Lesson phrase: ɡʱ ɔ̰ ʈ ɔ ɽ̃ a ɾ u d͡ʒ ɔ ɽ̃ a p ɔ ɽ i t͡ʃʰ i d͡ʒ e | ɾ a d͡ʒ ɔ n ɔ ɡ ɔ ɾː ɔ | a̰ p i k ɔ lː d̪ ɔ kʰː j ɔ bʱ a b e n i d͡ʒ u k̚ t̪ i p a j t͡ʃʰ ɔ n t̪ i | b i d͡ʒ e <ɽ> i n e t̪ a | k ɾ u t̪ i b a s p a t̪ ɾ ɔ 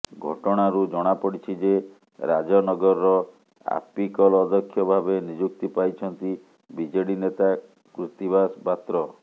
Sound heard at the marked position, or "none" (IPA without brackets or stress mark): ɽ